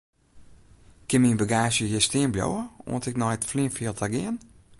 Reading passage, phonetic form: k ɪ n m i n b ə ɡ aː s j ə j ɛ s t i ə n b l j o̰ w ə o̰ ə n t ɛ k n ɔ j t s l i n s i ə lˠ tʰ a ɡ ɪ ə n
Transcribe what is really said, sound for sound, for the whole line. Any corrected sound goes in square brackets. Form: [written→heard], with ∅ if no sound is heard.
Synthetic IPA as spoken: k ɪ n m i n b ə ɡ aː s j ə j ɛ s t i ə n b l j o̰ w ə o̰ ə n t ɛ k n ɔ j t [s→f] l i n [s→f] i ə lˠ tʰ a ɡ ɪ ə n